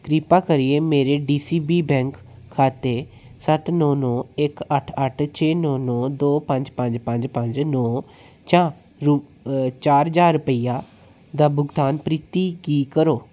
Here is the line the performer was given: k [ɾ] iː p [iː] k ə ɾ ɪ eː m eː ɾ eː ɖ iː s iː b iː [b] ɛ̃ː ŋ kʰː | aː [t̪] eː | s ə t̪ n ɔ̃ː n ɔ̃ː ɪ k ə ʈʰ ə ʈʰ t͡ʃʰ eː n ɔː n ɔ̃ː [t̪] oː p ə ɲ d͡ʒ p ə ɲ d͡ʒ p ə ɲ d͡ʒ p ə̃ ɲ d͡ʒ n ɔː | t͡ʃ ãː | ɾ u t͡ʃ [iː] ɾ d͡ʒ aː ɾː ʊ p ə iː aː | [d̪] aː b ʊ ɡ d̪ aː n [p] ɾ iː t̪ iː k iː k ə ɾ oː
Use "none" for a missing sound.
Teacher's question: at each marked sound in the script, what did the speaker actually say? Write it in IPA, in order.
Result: ɾ, aː, b, t̪, d̪, aː, d̪, p

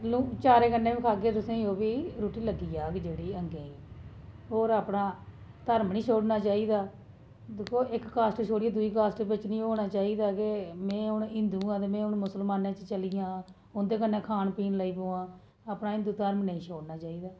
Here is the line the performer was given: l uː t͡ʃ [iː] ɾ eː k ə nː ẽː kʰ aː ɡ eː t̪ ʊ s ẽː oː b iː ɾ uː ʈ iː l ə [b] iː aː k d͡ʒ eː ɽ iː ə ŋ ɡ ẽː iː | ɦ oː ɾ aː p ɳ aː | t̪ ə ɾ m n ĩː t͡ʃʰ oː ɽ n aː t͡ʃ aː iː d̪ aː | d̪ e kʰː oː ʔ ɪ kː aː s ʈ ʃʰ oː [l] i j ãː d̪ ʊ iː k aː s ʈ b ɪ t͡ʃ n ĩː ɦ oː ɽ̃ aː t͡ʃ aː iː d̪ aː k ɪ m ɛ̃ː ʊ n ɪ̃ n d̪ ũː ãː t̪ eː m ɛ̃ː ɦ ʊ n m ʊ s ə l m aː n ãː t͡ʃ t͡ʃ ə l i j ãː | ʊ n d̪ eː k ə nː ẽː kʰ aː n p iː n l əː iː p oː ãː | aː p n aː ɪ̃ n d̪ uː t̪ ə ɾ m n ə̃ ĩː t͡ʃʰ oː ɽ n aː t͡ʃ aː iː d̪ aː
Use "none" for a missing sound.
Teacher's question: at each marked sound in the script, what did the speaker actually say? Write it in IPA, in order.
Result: aː, ɡ, ɽ

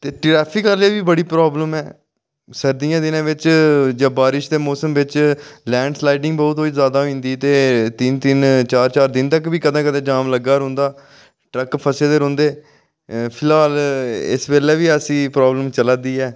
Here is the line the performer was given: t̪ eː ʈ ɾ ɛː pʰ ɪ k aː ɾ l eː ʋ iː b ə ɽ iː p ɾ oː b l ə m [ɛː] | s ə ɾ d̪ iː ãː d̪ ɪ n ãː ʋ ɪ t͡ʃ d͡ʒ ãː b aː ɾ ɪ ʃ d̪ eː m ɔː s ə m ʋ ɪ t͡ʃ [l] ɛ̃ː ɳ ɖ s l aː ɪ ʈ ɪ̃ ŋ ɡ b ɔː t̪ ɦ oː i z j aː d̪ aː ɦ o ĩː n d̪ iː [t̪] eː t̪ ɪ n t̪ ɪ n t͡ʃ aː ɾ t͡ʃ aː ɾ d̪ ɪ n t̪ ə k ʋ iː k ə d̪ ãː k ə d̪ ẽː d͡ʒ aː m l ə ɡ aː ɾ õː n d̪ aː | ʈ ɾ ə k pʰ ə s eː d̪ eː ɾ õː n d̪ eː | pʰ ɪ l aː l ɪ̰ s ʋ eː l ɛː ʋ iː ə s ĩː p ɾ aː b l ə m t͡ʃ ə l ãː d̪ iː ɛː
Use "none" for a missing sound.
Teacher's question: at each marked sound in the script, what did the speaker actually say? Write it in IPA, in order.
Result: ɛː, l, t̪

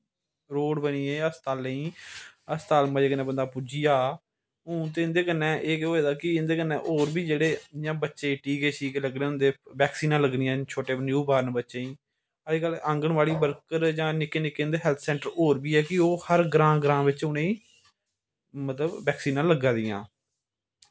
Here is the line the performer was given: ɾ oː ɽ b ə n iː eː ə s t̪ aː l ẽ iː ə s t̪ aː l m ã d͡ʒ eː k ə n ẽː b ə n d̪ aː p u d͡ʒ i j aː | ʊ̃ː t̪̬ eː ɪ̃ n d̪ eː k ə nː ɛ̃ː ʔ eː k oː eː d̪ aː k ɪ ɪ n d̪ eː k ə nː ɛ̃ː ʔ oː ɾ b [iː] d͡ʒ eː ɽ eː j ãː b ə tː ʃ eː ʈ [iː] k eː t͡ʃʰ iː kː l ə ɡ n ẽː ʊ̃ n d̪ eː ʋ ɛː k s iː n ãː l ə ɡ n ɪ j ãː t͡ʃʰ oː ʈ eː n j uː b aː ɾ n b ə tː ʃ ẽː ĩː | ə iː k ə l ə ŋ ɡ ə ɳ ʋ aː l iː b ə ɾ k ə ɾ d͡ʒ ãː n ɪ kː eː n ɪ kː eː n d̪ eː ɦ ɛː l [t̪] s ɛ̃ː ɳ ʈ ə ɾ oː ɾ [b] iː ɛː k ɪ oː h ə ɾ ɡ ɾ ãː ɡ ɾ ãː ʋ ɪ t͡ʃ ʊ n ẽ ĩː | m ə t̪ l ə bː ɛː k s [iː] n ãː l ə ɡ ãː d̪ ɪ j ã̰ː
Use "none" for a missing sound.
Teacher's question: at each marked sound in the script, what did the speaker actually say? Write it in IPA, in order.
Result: iː, iː, t̪ʰ, b, iː

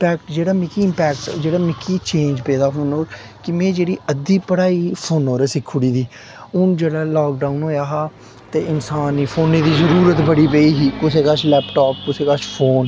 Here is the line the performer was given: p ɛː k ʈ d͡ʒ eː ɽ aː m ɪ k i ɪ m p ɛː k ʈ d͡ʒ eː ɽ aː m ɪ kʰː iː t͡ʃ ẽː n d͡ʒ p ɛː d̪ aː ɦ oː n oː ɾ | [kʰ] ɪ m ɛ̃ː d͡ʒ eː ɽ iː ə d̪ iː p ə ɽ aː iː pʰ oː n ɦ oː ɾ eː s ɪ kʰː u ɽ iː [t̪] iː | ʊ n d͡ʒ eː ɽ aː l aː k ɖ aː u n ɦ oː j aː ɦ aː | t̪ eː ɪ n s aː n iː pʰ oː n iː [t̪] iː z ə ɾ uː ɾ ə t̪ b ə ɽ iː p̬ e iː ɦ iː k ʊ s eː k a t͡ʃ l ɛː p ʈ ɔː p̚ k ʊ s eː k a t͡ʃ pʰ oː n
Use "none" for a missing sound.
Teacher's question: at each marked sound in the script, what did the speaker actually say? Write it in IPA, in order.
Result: k, d̪, d̪

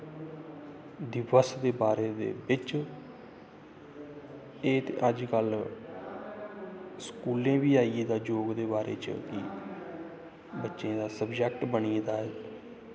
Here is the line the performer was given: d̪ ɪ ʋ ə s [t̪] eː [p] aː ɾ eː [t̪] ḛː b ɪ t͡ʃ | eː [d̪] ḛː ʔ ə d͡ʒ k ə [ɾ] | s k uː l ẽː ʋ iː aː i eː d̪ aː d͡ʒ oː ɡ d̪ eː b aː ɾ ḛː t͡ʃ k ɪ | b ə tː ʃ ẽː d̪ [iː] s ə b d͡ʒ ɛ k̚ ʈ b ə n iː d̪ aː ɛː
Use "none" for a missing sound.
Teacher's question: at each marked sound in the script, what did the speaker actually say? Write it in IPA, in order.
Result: d̪, b, d̪, t̪, l, aː

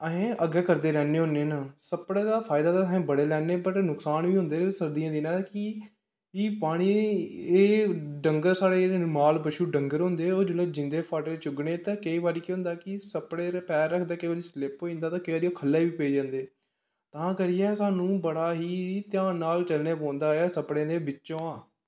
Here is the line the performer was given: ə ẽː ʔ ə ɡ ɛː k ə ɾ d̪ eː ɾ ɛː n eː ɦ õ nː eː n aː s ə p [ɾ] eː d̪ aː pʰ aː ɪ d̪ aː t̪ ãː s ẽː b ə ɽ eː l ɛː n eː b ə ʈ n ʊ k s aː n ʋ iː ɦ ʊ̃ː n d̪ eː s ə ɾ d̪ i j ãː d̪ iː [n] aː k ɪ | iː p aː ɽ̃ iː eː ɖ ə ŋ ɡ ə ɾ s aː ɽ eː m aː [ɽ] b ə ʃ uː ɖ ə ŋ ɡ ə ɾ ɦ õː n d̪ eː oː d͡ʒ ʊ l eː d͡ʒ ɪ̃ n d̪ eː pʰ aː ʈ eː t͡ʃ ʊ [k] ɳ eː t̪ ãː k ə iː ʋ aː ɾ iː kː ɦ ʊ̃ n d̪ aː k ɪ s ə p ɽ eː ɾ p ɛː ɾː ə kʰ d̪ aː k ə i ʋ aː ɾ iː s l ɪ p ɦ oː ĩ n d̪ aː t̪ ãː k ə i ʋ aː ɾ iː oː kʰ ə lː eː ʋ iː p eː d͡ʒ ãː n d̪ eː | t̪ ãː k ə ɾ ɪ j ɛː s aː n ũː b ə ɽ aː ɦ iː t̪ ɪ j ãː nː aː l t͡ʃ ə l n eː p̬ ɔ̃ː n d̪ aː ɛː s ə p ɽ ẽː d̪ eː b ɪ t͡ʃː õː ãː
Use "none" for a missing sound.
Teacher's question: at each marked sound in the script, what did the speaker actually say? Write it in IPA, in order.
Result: ɽ, n, l, ɡ

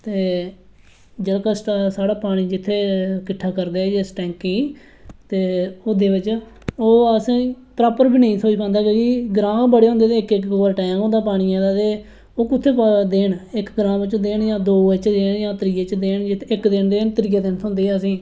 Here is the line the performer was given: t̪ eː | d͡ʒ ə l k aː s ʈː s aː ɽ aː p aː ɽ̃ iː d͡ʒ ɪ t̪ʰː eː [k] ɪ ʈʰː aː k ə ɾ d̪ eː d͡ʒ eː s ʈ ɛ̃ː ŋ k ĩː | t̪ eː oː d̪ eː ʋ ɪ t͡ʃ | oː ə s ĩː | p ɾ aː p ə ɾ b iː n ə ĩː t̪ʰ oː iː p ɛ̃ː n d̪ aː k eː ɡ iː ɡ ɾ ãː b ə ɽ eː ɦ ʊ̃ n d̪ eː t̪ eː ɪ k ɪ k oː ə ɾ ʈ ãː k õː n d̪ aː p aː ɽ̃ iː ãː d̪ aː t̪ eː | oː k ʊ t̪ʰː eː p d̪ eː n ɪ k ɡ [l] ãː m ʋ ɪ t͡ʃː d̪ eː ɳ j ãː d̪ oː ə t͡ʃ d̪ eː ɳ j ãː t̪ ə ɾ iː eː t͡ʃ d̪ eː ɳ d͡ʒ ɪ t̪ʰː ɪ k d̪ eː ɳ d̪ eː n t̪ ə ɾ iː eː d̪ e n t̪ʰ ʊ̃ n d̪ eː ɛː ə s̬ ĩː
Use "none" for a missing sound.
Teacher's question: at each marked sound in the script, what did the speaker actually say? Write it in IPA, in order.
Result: k, ɾ

